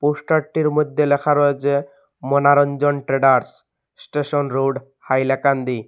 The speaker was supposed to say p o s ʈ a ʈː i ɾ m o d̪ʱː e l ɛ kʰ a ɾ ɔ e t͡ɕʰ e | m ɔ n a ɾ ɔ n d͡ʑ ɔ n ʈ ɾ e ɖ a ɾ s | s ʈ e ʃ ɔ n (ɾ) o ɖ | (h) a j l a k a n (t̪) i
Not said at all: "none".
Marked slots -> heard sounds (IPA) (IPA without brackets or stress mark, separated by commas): ɾ, h, d̪